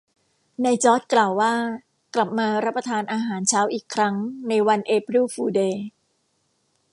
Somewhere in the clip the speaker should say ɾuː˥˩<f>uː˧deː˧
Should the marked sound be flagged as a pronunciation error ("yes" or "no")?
no